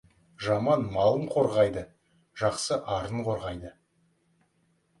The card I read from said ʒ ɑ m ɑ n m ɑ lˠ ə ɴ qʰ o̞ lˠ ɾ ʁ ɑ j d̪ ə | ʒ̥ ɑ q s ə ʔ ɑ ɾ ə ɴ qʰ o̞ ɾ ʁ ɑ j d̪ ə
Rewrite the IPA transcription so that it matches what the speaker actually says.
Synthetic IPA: ʒ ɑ m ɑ n m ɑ lˠ ə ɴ qʰ o̞ ɾ ʁ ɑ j d̪ ə | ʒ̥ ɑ q s ə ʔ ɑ ɾ ə ɴ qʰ o̞ ɾ ʁ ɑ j d̪ ə